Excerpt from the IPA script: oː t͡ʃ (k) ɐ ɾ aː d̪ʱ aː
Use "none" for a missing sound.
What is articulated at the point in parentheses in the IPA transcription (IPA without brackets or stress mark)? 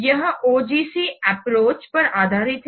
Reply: p